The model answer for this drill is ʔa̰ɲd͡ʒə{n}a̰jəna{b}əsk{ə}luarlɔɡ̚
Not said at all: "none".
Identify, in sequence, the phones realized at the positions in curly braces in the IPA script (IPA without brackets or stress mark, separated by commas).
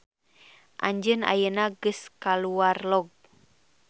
n, ɡ, a